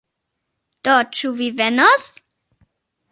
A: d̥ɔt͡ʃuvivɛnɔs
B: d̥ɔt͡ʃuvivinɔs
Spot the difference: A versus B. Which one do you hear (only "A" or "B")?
A